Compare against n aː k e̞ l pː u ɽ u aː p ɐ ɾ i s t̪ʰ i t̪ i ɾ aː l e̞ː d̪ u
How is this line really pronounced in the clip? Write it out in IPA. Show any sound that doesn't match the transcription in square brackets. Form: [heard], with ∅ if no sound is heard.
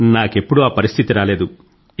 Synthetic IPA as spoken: n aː k e̞ [∅] pː u ɽ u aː p ɐ ɾ i s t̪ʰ i t̪ i ɾ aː l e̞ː d̪ u